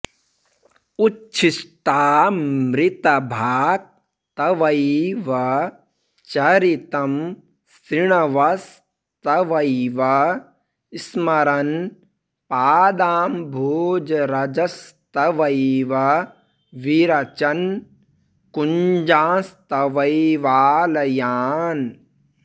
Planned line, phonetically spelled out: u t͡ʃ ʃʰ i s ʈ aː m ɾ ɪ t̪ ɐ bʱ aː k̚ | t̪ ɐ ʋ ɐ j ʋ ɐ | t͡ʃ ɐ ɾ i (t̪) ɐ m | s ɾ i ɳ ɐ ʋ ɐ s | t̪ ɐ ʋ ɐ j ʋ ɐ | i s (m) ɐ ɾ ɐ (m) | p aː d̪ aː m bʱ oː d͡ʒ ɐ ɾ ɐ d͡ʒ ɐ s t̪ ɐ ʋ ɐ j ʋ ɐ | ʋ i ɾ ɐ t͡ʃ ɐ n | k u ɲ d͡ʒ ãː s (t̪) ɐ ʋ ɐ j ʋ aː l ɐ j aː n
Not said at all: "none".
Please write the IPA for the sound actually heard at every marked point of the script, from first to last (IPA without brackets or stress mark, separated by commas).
t̪, m, n, t̪